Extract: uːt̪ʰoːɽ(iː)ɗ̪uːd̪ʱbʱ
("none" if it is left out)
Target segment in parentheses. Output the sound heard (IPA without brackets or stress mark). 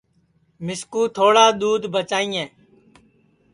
aː